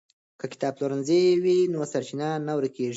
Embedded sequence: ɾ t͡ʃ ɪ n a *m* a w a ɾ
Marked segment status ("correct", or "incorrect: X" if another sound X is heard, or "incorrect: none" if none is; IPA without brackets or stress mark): incorrect: n